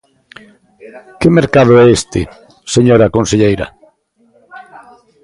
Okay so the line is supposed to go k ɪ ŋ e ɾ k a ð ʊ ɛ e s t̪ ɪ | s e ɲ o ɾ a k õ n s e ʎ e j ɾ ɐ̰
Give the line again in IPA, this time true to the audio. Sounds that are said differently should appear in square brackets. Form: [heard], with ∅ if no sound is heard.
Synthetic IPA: k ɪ [m] e ɾ k a ð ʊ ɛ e s t̪ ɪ | s e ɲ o ɾ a k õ n s e ʎ e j ɾ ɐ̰